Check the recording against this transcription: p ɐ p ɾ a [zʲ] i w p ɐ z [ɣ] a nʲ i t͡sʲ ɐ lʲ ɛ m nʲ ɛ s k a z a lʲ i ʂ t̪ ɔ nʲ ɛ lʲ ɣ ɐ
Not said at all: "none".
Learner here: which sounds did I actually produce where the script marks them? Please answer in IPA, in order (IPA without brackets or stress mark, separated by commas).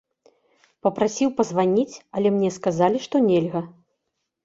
sʲ, v